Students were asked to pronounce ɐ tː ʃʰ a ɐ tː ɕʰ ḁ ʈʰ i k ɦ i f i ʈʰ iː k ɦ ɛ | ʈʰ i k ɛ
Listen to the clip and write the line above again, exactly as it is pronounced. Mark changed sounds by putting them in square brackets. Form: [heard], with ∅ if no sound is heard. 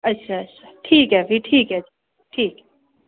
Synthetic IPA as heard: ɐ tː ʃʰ a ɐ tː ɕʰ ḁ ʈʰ [iː] k ɦ [ɛ] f i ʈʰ iː k ɦ ɛ | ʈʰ [iː] k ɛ